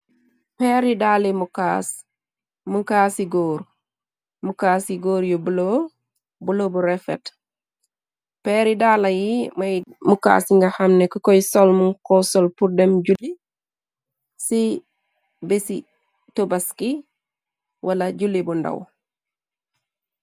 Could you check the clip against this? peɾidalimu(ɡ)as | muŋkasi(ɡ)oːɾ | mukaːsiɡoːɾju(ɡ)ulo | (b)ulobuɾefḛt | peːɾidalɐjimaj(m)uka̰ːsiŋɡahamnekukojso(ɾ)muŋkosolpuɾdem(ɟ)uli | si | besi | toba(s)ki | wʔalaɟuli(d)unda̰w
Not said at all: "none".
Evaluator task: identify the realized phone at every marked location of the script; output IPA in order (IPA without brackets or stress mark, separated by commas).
k, ɡ, b, b, m, l, ɟ, s, b